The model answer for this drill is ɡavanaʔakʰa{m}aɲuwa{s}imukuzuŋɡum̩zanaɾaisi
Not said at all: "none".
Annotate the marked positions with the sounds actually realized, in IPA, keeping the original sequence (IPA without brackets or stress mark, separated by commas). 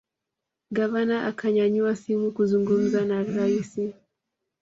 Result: ɲ, s